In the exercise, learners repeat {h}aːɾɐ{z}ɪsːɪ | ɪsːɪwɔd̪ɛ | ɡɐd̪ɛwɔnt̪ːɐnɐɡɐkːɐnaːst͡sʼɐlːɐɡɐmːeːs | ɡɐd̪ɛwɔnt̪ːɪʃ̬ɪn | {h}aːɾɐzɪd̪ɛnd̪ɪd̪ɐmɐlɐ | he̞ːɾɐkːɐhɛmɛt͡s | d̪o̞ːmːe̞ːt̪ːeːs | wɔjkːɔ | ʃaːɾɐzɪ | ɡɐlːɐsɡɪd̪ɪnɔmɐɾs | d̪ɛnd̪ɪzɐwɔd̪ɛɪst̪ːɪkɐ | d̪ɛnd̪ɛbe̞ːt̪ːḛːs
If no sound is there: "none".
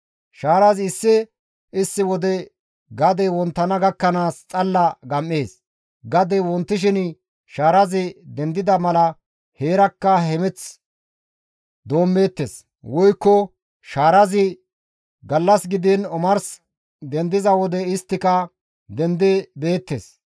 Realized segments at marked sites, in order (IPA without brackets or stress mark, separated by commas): ʃ, z, ʃ